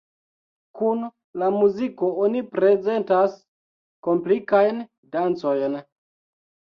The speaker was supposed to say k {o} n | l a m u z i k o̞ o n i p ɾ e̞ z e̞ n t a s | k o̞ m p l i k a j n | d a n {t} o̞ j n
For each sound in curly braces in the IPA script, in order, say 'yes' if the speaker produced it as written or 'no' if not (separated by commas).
no, no